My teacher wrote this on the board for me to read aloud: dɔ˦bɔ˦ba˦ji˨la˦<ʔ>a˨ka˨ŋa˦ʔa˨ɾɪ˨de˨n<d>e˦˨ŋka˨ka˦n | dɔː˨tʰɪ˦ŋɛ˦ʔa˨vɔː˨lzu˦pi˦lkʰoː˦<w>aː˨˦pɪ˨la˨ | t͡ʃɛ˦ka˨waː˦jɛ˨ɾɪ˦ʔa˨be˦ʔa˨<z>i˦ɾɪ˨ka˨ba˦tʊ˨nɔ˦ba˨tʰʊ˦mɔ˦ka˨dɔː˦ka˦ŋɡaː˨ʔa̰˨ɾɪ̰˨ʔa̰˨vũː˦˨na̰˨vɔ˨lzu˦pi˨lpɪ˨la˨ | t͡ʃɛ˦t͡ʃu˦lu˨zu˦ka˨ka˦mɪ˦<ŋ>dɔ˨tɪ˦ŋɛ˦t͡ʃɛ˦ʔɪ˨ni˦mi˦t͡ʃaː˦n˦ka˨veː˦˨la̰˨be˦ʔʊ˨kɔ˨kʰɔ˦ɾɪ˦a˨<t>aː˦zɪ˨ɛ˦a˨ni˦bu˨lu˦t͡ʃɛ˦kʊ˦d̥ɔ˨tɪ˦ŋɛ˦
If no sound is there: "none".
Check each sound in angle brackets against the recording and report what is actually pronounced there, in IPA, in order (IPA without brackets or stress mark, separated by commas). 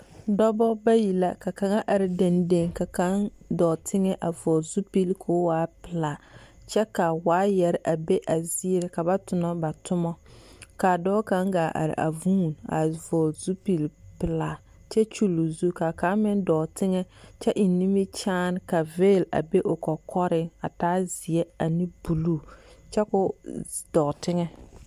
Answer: k, d, w, z, n, t